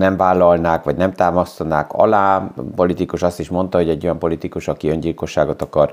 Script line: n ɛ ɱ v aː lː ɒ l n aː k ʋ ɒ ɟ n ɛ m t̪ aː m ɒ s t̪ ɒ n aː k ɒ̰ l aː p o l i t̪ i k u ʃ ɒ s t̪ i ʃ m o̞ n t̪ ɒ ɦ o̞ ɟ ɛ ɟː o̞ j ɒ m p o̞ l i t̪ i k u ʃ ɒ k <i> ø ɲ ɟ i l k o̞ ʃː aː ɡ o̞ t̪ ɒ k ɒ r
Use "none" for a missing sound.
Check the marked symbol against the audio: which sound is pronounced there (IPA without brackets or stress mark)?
i